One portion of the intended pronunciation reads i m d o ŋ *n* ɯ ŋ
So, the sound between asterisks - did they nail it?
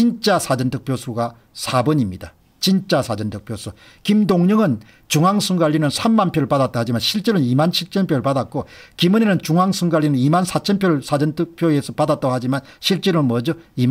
no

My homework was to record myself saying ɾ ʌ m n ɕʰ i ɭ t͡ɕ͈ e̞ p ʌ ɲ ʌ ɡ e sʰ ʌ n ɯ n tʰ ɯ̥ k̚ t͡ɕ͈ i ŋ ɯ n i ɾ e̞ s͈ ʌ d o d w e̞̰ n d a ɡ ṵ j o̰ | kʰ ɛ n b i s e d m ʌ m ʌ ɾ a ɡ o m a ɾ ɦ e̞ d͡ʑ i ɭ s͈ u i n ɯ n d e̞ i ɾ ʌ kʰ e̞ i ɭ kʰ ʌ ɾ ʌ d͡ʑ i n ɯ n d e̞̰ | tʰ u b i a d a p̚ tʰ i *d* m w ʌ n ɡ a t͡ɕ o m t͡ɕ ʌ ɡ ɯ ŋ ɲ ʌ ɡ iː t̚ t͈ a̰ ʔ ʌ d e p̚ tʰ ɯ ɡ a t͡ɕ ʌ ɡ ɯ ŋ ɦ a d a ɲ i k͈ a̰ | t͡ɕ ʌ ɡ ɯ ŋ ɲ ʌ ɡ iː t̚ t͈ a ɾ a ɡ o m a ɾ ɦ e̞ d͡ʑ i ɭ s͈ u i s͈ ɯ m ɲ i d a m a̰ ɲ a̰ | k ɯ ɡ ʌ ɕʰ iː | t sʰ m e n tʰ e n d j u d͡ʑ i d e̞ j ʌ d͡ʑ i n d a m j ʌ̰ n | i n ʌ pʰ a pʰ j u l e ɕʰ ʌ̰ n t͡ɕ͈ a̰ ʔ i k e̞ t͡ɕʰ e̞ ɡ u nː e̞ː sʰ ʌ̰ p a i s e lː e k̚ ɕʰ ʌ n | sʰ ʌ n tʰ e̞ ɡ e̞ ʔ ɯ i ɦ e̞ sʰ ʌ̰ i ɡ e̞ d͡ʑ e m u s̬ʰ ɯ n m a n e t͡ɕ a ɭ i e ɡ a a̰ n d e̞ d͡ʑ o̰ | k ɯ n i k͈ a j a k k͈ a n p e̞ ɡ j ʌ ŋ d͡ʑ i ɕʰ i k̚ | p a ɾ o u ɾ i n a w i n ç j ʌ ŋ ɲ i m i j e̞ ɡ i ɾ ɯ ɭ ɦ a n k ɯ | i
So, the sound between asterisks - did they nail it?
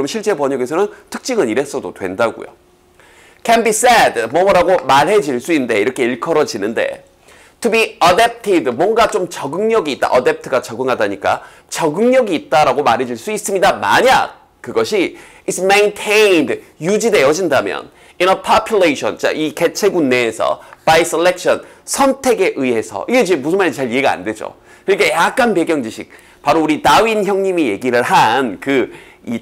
yes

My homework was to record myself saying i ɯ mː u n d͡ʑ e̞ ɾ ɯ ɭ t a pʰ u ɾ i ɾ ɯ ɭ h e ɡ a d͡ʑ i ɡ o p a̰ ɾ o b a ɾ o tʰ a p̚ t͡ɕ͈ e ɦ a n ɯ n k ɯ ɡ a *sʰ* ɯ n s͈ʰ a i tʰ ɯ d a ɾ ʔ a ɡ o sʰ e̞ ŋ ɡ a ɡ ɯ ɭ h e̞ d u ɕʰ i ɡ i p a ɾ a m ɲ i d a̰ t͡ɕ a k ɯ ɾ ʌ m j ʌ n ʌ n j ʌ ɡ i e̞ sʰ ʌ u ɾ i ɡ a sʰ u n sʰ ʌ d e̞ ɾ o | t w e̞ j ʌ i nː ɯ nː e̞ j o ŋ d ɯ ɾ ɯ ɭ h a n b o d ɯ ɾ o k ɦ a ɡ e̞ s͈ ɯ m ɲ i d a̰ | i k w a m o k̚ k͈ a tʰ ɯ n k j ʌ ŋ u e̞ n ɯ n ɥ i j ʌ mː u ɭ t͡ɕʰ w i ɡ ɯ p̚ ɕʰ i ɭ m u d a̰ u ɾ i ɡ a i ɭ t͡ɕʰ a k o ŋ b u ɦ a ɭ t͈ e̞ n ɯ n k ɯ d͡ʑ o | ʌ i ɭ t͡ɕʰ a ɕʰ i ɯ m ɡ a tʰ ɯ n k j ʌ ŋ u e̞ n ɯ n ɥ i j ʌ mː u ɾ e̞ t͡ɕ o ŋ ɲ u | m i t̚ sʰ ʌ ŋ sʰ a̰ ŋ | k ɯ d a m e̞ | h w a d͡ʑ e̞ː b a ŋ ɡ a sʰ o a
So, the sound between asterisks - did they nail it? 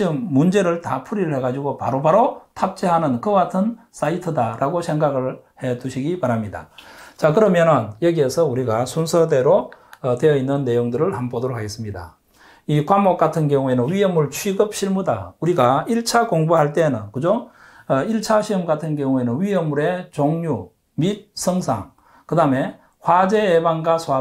no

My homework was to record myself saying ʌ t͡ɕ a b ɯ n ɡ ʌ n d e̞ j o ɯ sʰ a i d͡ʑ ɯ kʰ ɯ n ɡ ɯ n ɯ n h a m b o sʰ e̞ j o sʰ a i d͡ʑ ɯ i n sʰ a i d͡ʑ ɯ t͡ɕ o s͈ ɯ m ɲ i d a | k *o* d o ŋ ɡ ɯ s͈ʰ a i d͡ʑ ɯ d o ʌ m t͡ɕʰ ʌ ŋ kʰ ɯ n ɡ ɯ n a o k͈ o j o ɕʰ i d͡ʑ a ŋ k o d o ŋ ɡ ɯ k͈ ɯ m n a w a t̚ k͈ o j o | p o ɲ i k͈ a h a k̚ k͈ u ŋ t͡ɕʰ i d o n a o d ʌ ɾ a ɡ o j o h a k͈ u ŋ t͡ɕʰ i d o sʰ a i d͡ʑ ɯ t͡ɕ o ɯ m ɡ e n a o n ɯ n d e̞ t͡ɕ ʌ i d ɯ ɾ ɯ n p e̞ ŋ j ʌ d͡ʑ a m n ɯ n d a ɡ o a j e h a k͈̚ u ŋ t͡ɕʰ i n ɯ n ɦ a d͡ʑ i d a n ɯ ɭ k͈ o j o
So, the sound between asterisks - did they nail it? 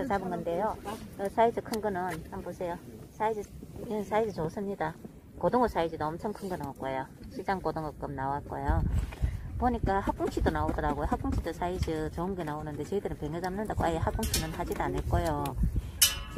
yes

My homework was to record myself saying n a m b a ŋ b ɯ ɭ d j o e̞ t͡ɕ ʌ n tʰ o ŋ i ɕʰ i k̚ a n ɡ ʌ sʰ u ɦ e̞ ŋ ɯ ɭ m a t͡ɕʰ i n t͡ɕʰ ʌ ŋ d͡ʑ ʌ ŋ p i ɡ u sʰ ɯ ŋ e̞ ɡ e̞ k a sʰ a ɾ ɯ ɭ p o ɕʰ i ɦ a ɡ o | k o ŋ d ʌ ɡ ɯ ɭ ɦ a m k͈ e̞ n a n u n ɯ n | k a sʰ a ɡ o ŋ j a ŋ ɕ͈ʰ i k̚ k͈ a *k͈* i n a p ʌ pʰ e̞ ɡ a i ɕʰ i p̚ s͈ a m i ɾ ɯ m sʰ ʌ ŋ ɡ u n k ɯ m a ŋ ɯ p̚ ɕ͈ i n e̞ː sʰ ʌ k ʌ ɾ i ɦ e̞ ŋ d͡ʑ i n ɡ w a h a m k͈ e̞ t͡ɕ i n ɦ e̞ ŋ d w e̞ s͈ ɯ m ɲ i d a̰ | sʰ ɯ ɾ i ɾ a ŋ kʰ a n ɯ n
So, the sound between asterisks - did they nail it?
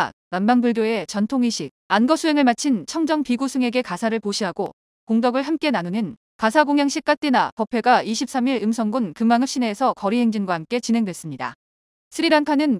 no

